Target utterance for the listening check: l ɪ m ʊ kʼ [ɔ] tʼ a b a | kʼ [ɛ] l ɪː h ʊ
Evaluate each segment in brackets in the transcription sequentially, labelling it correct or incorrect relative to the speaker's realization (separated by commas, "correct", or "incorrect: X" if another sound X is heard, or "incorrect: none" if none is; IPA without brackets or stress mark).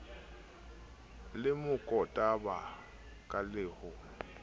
correct, incorrect: a